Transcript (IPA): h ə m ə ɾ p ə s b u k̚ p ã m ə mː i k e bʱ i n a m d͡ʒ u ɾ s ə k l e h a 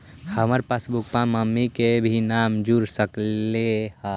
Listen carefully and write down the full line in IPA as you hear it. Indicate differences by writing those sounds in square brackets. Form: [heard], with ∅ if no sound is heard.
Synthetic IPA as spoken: h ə m ə ɾ p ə s b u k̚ p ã m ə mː i k e bʱ i n a m d͡ʒ u ɾ s ə k l e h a